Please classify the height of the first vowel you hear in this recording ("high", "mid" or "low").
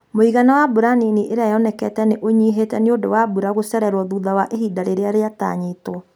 mid